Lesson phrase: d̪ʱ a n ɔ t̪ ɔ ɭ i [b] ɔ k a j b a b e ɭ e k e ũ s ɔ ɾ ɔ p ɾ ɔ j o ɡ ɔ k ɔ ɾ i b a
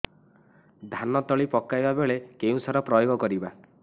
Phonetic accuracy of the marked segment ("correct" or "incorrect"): incorrect